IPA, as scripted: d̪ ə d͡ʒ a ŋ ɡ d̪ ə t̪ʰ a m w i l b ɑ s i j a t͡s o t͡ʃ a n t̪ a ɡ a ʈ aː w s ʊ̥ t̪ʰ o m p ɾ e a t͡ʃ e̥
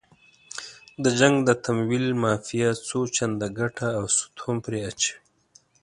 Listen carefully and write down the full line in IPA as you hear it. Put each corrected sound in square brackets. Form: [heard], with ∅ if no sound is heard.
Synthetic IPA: d̪ ə d͡ʒ a ŋ ɡ d̪ ə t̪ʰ a m w i l [m] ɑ [f] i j a t͡s o t͡ʃ a n [d̪] a ɡ a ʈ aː w s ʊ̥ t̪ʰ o m p ɾ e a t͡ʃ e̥